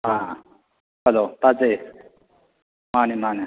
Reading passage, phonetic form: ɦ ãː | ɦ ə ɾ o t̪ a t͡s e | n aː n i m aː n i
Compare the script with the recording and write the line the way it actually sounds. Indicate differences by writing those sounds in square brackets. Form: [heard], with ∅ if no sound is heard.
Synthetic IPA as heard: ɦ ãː | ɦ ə [l] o t̪ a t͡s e | [m] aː n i m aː n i